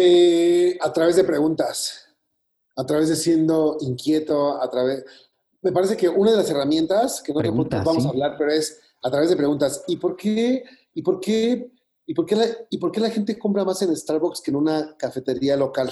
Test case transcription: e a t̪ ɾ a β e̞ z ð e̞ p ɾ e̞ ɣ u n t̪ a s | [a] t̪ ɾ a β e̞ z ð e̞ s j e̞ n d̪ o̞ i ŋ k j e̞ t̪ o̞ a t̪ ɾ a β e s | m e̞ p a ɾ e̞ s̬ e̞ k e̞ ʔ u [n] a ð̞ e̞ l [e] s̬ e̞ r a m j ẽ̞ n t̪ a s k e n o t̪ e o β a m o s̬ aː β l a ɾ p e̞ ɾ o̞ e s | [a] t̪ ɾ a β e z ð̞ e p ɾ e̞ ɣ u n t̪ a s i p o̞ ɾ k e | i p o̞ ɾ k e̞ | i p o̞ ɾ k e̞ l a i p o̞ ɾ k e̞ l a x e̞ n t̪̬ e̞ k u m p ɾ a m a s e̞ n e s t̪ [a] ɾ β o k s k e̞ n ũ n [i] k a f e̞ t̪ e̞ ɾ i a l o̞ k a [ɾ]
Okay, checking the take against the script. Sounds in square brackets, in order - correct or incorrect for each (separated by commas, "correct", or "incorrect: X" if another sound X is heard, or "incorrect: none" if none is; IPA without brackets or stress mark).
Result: correct, correct, incorrect: a, correct, correct, incorrect: a, incorrect: l